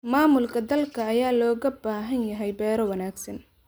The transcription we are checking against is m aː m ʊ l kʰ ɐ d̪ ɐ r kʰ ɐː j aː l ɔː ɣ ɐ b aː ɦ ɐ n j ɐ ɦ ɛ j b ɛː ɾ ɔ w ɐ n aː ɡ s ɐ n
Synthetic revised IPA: m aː m ʊ l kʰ ɐ d̪ ɐ l kʰ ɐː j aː l ɔː ɣ ɐ b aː ɦ ɐ n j ɐ ɦ ɛ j b ɛː ɾ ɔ w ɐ n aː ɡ s ɐ n

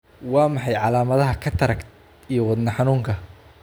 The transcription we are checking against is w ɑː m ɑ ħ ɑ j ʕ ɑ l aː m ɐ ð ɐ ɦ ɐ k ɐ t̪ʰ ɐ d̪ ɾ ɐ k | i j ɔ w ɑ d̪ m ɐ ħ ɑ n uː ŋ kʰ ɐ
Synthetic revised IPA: w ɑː m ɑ ħ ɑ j ʕ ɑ l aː m ɐ ð ɐ ɦ ɐ kʰ ɐ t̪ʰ ɐ ɾ ɐ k | i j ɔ w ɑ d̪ n ɐ ħ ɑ n uː ŋ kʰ ɐ

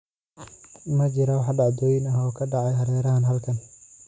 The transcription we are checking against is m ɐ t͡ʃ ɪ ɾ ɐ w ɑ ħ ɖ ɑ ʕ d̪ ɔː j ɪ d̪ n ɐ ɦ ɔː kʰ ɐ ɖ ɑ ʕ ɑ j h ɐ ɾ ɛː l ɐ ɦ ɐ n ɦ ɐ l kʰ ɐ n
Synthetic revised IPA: m ɐ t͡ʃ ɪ ɾ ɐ w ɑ ħ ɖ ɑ ʕ d̪ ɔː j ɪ n ɐ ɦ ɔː kʰ ɐ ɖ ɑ ʕ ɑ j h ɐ ɾ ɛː ɾ ɐ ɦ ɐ n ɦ ɐ l kʰ ɐ n

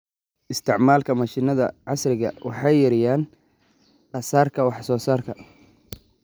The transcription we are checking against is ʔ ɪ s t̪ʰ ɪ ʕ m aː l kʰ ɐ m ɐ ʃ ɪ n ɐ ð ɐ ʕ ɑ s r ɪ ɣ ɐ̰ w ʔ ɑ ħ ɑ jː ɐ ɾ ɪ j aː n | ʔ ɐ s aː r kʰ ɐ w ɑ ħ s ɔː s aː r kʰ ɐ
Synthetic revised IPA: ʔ ɪ s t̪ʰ ɪ ʕ m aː l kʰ ɐ m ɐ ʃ ɪ n ɐ ð ɐ ʕ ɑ s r ɪ ɣ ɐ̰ w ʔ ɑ ħ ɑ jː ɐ ɾ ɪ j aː n | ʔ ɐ s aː r kʰ ɐ w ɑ ħ s ɔː s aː r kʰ ɐ

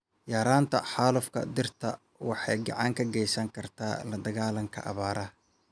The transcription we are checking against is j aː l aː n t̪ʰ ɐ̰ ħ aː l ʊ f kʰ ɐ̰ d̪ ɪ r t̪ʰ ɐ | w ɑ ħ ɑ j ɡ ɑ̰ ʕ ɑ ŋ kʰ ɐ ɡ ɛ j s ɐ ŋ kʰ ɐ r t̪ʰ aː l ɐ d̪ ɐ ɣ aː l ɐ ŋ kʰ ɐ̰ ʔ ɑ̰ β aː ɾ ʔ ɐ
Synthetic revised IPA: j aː ɾ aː n t̪ʰ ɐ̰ ħ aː l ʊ f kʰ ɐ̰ d̪ ɪ r t̪ʰ ɐ | w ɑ ħ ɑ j ɡ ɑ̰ ʕ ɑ ŋ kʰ ɐ ɡ ɛ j s ɐ ŋ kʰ ɐ r t̪ʰ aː l ɐ d̪ ɐ ɣ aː l ɐ ŋ kʰ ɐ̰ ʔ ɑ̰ β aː ɾ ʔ ɐ

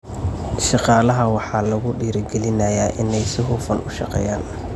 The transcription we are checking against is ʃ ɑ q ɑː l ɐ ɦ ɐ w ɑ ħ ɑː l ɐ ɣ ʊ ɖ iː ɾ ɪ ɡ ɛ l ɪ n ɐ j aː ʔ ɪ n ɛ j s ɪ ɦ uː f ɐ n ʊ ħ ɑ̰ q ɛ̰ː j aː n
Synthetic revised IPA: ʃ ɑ q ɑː l ɐ ɦ ɐ w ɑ ħ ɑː l ɐ ɣ ʊ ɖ iː ɾ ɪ ɡ ɛ l ɪ n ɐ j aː ʔ ɪ n ɛ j s ɪ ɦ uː f ɐ n ʊ ʃ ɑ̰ q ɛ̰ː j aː n

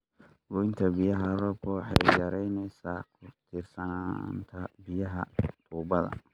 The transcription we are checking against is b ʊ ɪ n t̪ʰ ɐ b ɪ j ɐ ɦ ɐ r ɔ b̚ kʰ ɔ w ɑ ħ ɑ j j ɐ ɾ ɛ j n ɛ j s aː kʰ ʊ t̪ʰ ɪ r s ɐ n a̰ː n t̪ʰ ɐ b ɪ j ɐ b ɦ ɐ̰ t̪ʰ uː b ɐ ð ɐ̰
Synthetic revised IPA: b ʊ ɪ n t̪ʰ ɐ b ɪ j ɐ ɦ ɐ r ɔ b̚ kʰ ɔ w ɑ ħ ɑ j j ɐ ɾ ɛ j n ɛ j s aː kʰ ʊ t̪ʰ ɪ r s ɐ n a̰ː n t̪ʰ ɐ b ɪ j ɐ ɦ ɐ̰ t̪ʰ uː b ɐ ð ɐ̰

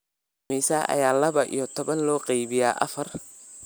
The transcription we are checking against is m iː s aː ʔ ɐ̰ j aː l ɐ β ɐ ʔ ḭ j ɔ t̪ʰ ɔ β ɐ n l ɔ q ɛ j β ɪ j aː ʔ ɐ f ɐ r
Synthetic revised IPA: m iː s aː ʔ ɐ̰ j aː l ɐ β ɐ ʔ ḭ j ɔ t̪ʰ ɔ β ɐ n l ɔː q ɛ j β ɪ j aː ʔ ɐ f ɐ r

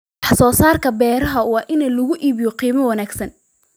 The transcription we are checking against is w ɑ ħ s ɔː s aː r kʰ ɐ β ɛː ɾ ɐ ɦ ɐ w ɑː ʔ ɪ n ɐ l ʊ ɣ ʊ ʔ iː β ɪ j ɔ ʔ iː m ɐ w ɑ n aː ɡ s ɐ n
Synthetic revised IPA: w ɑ ħ s ɔː s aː r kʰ ɐ b ɛː ɾ ɐ ɦ ɐ w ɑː ʔ ɪ n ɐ l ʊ ɣ ʊ ʔ iː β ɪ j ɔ q iː m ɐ w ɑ n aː ɡ s ɐ n

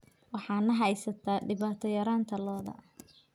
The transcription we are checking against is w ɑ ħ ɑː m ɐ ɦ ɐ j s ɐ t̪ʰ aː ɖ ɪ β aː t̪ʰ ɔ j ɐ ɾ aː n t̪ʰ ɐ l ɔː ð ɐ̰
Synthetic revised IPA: w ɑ ħ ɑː n ɐ ɦ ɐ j s ɐ t̪ʰ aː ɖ ɪ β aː t̪ʰ ɔ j ɐ ɾ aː n t̪ʰ ɐ l ɔː ð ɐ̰

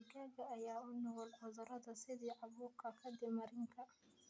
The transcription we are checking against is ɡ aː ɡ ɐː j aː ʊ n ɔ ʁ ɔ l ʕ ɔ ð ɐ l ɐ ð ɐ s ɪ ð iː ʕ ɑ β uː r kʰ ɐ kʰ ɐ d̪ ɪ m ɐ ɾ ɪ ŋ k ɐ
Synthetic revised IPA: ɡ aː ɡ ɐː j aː ʊ n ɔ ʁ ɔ l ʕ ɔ ð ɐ ɾ ɐ ð ɐ s ɪ ð iː ʕ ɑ β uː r kʰ ɐ kʰ ɐ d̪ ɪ m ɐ ɾ ɪ ŋ kʰ ɐ

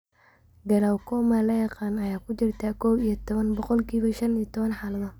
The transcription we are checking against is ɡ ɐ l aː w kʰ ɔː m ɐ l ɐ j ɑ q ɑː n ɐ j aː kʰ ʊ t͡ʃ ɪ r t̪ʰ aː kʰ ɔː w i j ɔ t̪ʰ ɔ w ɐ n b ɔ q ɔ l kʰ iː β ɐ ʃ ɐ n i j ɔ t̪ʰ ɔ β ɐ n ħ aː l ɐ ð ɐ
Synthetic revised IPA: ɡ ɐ l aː w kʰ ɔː m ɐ l ɐ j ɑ q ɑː n ɐ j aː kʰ ʊ t͡ʃ ɪ r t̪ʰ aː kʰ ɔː w i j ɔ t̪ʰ ɔ β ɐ n b ɔ q ɔ l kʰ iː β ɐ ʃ ɐ n i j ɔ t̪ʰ ɔ β ɐ n ħ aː l ɐ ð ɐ

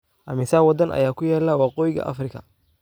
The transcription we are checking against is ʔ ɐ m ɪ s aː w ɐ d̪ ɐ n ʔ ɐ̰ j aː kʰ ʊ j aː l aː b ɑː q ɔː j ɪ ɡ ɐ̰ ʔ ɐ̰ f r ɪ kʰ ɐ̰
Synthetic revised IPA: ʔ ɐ m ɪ s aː w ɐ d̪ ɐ n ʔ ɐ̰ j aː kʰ ʊ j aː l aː w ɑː q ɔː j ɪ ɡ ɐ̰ ʔ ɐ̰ f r ɪ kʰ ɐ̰

